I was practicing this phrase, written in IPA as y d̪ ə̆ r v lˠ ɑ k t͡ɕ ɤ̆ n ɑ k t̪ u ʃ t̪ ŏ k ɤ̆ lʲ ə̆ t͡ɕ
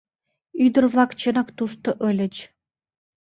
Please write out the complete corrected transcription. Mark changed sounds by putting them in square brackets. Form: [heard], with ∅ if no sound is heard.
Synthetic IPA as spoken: y d̪ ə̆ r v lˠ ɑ k t͡ɕ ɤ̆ n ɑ k t̪ u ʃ t̪ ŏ [ʔ] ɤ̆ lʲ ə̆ t͡ɕ